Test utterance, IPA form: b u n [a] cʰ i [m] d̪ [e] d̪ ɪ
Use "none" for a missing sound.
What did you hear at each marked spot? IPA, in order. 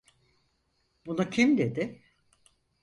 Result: a, m, e

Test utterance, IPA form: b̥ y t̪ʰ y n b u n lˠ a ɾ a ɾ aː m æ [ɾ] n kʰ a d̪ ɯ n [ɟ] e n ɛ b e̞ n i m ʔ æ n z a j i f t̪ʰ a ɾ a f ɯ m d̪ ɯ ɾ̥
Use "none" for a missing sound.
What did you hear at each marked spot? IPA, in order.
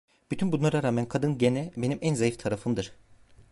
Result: none, ɟ

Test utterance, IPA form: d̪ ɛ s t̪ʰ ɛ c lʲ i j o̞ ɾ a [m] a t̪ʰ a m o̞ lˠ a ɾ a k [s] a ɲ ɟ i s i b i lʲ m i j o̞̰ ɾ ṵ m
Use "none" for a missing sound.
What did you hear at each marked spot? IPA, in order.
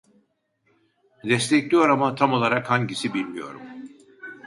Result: m, h

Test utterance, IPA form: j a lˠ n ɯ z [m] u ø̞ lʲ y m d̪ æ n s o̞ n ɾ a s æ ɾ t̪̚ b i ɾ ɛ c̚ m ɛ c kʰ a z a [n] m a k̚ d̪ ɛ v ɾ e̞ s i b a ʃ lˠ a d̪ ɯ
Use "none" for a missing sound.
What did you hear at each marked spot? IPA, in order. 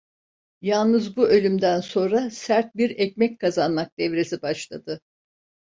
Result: b, n

